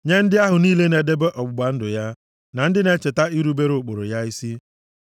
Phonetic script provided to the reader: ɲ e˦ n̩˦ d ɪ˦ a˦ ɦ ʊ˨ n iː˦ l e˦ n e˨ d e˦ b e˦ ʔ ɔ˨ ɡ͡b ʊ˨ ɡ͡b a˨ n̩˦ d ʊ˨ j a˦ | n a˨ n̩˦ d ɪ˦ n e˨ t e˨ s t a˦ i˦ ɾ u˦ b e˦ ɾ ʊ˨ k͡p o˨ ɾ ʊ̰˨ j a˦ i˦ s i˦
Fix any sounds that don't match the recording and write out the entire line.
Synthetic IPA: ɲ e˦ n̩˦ d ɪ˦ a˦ ɦ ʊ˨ n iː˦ l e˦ n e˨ d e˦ b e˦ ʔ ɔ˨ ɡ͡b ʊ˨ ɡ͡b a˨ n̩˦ d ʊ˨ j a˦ | n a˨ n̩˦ d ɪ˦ n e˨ t͡ʃ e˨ t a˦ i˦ ɾ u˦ b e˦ ɾ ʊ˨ k͡p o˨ ɾ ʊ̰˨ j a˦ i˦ s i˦

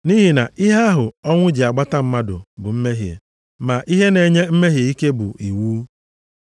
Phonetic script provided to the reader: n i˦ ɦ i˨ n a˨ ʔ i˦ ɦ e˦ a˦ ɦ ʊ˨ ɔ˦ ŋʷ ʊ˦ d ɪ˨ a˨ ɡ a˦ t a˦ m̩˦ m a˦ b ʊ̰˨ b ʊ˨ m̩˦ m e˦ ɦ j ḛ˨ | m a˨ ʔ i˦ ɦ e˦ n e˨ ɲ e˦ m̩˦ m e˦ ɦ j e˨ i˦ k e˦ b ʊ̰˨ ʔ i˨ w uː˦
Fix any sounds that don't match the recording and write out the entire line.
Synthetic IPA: n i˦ ɦ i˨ n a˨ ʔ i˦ ɦ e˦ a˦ ɦ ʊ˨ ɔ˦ ŋʷ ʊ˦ d͡ʒ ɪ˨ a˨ ɡ͡b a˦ t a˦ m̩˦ m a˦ d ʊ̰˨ b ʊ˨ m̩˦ m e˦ ɦ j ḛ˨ | m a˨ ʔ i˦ ɦ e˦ n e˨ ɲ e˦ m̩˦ m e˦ ɦ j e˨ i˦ k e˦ b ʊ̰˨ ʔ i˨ w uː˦

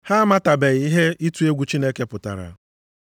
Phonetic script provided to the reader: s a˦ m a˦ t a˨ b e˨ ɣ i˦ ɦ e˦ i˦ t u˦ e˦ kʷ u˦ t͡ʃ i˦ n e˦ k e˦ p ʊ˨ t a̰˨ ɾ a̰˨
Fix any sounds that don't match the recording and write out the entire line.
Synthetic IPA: h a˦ m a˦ t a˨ b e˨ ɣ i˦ ɦ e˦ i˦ t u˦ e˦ ɡʷ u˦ t͡ʃ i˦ n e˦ k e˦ p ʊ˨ t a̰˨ ɾ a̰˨

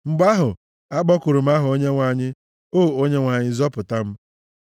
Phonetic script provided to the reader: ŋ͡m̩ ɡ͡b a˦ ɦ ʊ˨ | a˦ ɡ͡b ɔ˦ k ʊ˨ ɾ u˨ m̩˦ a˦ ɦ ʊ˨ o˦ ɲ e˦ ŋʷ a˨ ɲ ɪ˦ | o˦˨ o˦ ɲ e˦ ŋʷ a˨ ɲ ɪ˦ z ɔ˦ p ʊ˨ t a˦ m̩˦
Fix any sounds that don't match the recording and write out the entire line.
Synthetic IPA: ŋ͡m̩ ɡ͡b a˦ ɦ ʊ˨ | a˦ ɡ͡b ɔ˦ k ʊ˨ ɾ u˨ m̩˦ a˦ ɦ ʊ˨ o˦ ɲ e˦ ŋʷ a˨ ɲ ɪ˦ | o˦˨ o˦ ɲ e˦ ŋʷ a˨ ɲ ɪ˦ z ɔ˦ p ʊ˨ t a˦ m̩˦

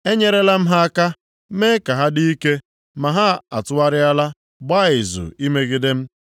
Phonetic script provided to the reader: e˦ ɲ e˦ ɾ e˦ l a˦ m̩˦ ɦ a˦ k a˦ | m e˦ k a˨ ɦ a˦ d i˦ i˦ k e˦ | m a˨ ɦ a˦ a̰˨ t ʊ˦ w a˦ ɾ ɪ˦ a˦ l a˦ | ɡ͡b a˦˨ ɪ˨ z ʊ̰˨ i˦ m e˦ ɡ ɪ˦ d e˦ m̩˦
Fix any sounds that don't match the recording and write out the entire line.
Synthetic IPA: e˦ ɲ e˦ ɾ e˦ l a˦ m̩˦ ɦ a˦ k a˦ | m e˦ k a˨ ɦ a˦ d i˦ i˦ k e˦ | m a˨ ɦ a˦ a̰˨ t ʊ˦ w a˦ ɾ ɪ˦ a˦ l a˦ | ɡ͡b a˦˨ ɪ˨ z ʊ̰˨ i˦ m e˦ ɡ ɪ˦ d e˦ m̩˦

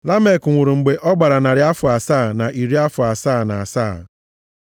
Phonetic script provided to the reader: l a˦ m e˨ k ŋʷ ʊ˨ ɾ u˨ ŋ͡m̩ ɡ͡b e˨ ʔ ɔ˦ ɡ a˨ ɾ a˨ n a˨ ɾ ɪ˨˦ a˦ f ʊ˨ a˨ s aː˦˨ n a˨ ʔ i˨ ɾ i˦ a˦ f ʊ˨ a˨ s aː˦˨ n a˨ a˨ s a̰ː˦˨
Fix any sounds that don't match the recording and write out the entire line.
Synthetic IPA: l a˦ m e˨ k ŋʷ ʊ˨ ɾ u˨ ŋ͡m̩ ɡ͡b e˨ ʔ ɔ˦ ɡ͡b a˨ ɾ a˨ n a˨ ɾ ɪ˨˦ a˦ f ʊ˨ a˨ s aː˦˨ n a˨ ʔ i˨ ɾ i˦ a˦ f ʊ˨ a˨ s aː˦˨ n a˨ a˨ s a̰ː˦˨

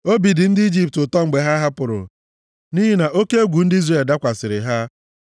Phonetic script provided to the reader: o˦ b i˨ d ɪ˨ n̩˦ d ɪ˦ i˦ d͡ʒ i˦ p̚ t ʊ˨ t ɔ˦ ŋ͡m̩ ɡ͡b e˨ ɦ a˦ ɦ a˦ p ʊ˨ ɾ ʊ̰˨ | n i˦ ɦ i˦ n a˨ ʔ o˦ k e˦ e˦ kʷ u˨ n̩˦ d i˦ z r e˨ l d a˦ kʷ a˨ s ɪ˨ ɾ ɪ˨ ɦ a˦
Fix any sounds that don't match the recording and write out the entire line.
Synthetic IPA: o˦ b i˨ d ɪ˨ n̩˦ d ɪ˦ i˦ d͡ʒ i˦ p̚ t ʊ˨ t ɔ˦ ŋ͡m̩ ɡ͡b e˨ ɦ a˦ ɦ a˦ p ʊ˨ ɾ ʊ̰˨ | n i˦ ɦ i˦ n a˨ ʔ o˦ k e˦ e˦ ɡʷ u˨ n̩˦ d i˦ z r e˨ l d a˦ kʷ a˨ s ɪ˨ ɾ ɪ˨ ɦ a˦

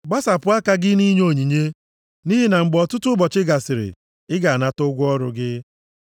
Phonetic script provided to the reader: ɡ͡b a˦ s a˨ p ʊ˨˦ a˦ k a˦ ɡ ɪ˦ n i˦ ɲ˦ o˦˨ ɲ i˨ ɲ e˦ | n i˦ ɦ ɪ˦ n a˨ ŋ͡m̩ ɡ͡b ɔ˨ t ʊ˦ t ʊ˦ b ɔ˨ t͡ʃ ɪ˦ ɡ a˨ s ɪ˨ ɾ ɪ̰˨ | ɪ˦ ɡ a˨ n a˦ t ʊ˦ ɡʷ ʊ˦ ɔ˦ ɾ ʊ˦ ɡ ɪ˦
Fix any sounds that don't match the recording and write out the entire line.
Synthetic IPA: ɡ͡b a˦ s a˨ p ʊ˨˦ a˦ k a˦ ɡ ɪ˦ n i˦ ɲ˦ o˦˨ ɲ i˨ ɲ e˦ | n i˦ ɦ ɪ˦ n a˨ ŋ͡m̩ ɡ͡b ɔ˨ t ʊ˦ t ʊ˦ b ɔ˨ t͡ʃ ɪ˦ ɡ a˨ s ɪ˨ ɾ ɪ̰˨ | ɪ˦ ɡ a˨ n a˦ t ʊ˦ ɡʷ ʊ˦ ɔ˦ ɾ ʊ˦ ɡ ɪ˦

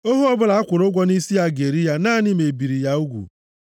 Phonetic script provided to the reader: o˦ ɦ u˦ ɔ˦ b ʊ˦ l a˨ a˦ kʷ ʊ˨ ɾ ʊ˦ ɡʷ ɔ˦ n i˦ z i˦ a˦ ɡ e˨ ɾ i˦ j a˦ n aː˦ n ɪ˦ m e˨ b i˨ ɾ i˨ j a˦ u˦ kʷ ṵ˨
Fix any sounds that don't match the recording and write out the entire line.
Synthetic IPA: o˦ ɦ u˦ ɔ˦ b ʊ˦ l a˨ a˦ kʷ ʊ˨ ɾ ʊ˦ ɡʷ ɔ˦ n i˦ s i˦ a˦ ɡ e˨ ɾ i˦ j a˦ n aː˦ n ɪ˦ m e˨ b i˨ ɾ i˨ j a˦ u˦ ɡʷ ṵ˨

